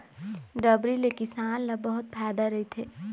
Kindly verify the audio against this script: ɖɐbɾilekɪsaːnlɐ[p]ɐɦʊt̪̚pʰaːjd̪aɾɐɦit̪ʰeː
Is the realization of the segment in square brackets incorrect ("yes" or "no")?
yes